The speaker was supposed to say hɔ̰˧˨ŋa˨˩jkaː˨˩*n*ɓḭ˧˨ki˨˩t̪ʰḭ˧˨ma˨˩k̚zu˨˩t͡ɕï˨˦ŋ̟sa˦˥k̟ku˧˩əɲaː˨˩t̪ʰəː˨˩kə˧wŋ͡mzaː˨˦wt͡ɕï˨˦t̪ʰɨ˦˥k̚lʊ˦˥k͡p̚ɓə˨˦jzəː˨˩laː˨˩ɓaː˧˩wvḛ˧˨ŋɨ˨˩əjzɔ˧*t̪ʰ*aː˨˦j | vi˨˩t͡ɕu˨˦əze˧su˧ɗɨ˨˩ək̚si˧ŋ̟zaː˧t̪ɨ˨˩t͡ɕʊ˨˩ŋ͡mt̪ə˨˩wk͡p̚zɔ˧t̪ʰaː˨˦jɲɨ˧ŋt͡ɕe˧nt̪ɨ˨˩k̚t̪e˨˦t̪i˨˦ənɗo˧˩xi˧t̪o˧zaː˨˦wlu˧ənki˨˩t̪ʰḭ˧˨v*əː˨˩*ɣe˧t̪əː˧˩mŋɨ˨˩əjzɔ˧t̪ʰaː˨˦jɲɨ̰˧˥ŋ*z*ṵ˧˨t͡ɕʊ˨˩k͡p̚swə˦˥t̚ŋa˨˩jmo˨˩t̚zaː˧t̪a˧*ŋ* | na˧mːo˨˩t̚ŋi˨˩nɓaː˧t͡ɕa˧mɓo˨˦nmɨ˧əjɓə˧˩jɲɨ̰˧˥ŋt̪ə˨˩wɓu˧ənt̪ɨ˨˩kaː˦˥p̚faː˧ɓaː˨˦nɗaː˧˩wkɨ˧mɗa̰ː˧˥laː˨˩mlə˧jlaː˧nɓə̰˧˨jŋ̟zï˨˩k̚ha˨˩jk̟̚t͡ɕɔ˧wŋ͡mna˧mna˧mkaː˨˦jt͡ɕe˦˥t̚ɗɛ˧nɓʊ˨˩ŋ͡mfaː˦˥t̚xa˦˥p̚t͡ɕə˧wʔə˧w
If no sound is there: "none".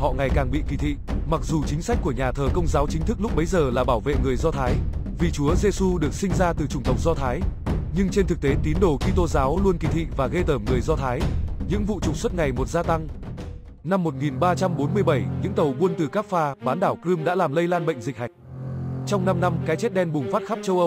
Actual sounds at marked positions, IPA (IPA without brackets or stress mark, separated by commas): ŋ, t̪ʰ, aː˨˩, v, ŋ